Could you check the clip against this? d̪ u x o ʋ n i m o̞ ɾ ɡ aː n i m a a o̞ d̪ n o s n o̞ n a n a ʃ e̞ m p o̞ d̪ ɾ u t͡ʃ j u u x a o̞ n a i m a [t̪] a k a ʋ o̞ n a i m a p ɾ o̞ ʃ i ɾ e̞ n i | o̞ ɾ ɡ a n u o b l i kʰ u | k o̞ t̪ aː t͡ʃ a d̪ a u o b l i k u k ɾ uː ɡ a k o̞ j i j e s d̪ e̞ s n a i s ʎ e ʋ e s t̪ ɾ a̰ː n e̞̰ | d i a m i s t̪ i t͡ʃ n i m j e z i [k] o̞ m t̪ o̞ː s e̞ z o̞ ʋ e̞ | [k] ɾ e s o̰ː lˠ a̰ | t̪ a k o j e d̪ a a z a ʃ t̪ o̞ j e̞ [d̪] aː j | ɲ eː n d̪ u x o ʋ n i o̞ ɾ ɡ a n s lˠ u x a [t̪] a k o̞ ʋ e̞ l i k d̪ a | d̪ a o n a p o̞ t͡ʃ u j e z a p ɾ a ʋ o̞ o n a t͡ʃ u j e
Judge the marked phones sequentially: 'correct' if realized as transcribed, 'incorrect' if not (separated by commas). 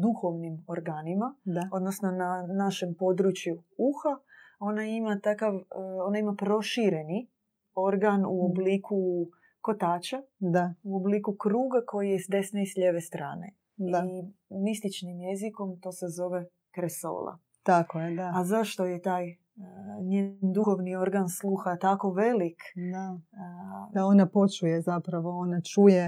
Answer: correct, correct, correct, incorrect, correct